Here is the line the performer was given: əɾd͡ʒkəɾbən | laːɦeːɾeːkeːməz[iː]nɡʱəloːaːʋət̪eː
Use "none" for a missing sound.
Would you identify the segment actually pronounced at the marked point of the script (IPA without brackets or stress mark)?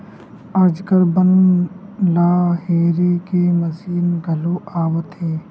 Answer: iː